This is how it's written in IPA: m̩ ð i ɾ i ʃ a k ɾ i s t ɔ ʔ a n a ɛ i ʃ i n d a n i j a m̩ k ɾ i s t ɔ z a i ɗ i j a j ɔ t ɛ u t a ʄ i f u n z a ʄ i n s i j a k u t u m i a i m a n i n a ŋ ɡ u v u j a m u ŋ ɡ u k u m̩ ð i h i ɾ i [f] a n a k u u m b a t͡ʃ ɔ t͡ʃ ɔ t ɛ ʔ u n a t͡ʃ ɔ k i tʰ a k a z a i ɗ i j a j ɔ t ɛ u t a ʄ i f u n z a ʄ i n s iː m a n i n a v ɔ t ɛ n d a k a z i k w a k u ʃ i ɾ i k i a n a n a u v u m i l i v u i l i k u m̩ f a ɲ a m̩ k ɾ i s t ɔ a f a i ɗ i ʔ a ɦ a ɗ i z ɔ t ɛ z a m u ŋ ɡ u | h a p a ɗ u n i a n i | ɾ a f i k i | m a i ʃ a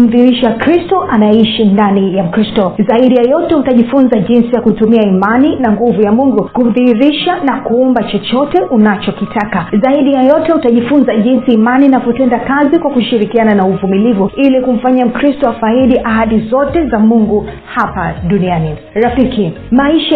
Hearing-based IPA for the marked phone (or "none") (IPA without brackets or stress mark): ʃ